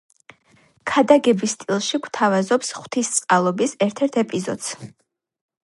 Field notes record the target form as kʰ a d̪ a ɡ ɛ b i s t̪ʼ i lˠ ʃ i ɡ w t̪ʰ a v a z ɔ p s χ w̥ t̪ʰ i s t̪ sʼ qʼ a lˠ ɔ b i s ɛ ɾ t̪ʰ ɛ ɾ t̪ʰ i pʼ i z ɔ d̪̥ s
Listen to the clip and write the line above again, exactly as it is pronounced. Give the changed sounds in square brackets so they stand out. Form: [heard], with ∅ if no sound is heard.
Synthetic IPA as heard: kʰ a d̪ a ɡ ɛ b i s t̪ʼ i lˠ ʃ i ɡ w t̪ʰ a v a z ɔ p s χ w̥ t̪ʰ i s t̪ sʼ qʼ a lˠ ɔ b i s ɛ ɾ t̪ʰ ɛ ɾ t̪ʰ [ɛ] pʼ i z ɔ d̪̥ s